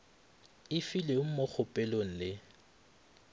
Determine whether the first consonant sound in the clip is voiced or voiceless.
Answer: voiceless